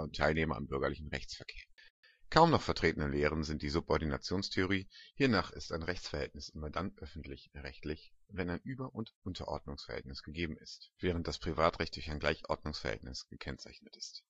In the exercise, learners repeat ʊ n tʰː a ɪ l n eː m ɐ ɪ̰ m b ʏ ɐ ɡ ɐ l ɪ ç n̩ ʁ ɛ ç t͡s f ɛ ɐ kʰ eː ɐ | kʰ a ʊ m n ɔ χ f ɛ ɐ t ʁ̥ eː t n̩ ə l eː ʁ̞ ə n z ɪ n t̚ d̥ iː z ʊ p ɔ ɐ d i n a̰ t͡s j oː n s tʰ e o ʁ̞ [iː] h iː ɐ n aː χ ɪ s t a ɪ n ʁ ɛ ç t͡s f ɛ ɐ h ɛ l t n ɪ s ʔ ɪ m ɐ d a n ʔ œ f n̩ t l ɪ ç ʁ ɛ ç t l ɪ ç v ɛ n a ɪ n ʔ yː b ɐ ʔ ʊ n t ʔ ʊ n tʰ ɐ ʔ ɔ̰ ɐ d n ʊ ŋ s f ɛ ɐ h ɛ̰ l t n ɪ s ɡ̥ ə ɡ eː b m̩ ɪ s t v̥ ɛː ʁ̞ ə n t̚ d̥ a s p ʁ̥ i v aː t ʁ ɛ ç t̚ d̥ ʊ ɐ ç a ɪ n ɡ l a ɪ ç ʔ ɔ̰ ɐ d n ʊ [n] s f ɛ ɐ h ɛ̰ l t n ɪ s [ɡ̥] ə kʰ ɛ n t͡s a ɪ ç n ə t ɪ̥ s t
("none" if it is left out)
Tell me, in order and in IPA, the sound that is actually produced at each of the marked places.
iː, ŋ, ɡ̥

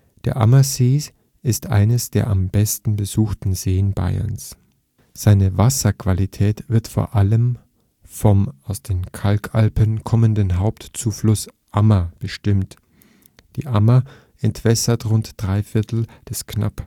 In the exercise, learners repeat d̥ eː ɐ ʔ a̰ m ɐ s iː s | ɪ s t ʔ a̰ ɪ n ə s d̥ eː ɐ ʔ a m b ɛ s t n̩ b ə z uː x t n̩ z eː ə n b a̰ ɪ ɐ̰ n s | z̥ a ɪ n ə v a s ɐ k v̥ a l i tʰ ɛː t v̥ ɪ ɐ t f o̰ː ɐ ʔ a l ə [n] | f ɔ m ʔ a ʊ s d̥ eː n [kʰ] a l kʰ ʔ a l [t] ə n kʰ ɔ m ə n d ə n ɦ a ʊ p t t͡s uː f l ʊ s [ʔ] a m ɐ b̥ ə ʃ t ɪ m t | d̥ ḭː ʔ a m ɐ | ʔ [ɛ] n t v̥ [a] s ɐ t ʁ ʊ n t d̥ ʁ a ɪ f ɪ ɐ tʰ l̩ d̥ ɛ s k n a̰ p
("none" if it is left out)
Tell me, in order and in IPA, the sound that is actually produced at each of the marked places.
m, kʰ, p, ʔ, ɛ, ɛ

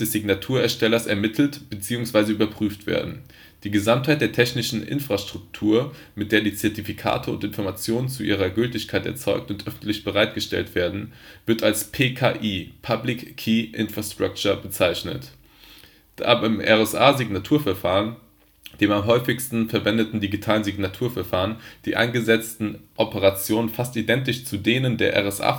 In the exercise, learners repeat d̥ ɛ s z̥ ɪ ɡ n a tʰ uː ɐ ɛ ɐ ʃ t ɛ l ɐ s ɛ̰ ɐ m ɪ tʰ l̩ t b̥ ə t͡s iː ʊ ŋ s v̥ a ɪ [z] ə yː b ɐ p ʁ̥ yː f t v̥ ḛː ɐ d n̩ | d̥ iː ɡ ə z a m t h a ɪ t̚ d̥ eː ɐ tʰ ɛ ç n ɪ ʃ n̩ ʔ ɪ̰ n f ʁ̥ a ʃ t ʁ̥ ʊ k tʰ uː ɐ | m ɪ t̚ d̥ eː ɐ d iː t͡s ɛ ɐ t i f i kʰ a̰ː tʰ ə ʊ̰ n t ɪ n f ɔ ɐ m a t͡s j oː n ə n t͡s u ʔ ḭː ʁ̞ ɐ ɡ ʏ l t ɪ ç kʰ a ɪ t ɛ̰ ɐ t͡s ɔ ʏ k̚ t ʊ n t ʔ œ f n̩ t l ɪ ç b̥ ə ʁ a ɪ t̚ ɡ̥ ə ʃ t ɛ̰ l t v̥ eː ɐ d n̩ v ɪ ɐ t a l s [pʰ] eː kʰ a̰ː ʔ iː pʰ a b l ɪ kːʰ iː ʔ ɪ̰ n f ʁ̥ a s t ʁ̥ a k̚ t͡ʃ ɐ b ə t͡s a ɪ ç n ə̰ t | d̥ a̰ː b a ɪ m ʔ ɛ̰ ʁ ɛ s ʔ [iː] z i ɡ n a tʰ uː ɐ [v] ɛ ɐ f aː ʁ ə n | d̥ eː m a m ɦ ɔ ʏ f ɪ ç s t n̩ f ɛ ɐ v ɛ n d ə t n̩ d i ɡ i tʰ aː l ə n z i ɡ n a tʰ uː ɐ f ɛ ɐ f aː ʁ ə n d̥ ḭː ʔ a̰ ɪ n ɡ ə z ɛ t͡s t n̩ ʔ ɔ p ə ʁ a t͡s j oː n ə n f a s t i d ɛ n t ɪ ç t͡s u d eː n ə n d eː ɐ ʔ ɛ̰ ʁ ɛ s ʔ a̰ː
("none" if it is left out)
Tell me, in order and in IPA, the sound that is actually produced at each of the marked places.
z, pʰ, aː, f

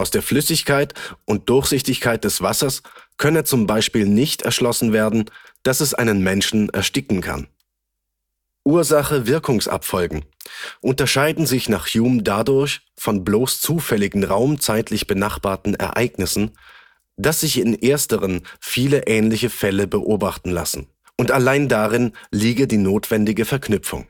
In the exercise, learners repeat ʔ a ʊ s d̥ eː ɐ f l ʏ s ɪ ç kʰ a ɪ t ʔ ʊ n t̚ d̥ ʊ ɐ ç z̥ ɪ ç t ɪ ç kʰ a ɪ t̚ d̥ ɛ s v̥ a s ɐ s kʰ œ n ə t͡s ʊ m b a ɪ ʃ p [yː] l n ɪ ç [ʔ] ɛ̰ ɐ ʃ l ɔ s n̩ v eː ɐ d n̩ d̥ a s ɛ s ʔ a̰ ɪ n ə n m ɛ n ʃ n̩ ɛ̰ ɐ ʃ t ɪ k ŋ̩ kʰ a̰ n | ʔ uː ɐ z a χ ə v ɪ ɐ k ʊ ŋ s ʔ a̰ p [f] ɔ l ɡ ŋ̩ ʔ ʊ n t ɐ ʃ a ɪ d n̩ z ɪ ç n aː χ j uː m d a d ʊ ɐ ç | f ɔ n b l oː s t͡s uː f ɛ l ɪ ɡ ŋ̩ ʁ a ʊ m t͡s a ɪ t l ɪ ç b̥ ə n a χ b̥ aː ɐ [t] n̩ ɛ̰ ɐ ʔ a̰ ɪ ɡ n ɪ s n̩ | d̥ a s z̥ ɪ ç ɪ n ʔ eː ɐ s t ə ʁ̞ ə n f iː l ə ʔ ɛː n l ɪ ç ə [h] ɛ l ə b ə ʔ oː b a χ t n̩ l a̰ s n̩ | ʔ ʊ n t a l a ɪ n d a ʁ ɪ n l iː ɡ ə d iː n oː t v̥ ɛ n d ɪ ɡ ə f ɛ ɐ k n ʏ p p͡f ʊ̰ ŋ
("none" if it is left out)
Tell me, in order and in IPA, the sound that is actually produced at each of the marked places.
iː, t, f, t, f

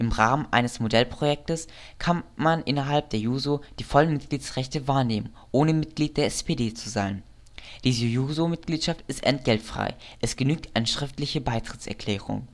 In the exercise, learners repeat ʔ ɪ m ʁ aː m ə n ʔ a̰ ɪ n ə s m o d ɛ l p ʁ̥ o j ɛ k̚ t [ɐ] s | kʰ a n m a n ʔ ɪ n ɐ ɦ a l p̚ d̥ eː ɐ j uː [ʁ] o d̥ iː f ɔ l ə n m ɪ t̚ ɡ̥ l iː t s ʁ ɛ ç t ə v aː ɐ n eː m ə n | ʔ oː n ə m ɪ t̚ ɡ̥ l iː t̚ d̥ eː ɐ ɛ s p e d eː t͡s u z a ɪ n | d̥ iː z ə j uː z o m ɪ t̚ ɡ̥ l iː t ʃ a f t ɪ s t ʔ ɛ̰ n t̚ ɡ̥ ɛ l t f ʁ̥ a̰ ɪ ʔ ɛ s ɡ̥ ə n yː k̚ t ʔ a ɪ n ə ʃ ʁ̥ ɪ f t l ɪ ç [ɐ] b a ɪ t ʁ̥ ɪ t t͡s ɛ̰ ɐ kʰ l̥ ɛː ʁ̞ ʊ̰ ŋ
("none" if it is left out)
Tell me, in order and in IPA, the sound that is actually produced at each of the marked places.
ə, z, ə

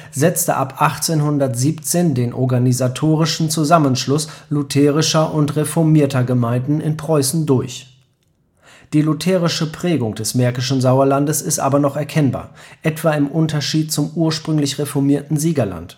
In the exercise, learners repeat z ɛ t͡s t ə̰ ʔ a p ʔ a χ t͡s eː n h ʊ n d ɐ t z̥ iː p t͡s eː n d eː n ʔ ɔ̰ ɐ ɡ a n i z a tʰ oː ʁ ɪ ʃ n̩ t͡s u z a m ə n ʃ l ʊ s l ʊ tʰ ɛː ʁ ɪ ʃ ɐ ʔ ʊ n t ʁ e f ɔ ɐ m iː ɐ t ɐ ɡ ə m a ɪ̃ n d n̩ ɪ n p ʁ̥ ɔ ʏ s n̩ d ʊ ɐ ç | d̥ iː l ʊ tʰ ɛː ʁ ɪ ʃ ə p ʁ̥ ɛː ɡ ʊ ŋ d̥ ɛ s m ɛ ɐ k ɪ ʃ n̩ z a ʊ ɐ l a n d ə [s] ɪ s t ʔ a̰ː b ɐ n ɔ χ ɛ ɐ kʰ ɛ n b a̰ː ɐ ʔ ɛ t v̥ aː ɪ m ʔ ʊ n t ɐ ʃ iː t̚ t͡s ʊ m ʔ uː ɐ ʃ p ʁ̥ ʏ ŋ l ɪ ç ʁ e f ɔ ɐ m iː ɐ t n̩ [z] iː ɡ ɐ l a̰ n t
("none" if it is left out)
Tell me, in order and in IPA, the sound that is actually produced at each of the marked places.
s, z

